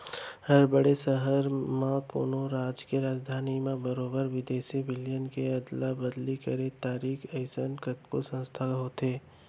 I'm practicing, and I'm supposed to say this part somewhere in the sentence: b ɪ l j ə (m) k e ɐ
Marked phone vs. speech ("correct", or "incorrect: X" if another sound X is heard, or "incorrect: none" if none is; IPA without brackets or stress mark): incorrect: n